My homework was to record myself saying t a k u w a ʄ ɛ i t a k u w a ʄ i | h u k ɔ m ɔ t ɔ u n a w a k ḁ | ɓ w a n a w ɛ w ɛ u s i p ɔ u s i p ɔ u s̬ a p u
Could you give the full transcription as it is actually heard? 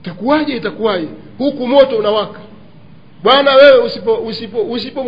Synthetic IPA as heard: t a k u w a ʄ ɛ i t a k u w a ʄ ɛ | h u k u m ɔ t ɔ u n a w a k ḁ | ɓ w a n a w ɛ w ɛ u s i p ɔ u s i p ɔ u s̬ i p ɔ